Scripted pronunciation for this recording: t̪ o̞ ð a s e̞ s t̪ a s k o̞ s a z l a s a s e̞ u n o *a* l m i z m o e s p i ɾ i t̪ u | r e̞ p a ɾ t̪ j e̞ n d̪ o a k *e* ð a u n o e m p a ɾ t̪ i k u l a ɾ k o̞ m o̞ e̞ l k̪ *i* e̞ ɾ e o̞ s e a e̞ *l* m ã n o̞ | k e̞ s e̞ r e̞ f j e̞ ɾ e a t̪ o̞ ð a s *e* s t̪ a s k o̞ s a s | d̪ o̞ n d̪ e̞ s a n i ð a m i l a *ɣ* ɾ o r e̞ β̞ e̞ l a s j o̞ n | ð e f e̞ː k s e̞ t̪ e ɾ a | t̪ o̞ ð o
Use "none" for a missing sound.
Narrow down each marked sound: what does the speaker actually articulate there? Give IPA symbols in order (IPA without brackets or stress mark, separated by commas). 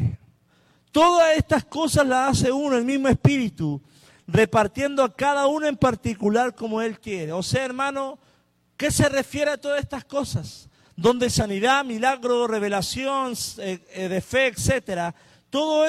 e, a, j, ɾ, e, ɣ